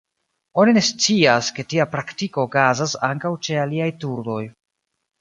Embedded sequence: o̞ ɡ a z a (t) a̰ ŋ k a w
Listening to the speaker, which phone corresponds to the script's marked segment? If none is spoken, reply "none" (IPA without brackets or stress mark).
s